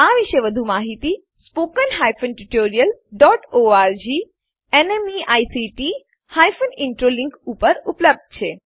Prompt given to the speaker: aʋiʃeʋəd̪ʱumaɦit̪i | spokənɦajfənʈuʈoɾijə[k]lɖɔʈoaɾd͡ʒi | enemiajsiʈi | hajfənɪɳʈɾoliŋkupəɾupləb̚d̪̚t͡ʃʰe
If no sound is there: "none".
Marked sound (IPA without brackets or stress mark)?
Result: none